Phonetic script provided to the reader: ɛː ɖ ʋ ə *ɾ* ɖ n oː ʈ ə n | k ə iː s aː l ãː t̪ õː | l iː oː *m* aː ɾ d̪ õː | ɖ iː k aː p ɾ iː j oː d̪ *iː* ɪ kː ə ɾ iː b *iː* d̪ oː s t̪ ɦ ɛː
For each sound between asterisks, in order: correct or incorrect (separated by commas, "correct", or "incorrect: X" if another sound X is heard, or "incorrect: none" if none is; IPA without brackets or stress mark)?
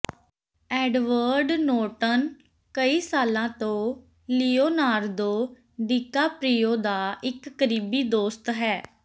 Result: correct, incorrect: n, incorrect: aː, correct